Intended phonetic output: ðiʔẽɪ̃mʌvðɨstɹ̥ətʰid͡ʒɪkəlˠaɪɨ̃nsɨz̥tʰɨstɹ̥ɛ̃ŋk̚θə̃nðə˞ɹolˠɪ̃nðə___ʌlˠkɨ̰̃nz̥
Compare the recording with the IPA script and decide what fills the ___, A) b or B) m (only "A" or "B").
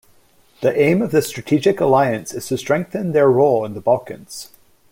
A